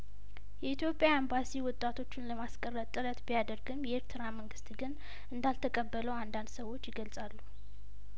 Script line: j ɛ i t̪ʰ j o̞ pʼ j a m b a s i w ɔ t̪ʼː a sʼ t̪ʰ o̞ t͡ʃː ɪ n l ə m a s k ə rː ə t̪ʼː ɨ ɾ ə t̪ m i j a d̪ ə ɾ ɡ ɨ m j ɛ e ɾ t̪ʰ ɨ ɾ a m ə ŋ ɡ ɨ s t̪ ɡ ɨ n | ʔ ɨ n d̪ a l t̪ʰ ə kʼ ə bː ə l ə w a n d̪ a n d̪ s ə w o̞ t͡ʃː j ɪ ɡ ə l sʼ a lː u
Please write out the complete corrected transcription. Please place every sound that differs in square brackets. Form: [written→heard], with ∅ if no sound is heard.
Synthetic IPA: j ɛ i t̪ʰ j o̞ pʼ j a m b a s i w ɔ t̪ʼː a [sʼ→∅] t̪ʰ o̞ t͡ʃː ɪ n l ə m a s [k→kʼ] ə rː ə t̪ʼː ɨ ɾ ə t̪ [m→b] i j a d̪ ə ɾ ɡ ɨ m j ɛ e ɾ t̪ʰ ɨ ɾ a m ə ŋ ɡ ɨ s t̪ ɡ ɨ n | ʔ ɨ n d̪ a l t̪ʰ ə kʼ ə bː ə l ə w a n d̪ a n d̪ s ə w o̞ t͡ʃː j ɪ ɡ ə l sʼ a lː u